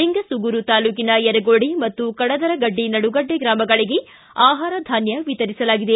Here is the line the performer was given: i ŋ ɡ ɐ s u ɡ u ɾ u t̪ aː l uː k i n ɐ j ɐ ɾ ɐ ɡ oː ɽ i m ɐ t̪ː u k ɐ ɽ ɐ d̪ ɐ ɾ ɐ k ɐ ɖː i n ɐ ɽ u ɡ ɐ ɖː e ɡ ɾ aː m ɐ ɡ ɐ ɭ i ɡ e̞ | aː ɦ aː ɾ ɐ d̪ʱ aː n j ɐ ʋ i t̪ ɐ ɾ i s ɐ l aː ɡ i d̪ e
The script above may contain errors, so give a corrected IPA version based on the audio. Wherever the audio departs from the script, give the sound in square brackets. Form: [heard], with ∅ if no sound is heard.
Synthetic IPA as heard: i ŋ ɡ ɐ s u ɡ u ɾ u t̪ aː l uː k i n ɐ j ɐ ɾ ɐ ɡ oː ɽ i m ɐ t̪ː u k ɐ ɽ ɐ d̪ ɐ ɾ ɐ [ɡ] ɐ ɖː i n ɐ ɽ u ɡ ɐ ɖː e ɡ ɾ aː m ɐ ɡ ɐ ɭ i ɡ e̞ | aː ɦ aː ɾ ɐ d̪ʱ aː n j ɐ ʋ i t̪ ɐ ɾ i s ɐ l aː ɡ i d̪ e